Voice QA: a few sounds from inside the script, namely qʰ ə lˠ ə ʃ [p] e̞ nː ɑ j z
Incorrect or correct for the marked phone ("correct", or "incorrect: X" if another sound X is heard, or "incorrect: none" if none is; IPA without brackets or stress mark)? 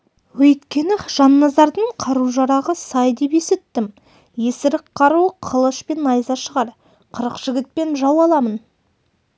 correct